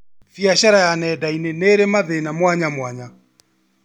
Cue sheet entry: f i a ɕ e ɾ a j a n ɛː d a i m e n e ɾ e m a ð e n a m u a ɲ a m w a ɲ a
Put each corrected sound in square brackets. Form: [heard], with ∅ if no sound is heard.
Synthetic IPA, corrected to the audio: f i a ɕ [a] ɾ a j a n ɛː d a i [n] e n e ɾ e m a ð e n a m [w] a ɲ a m w a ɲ a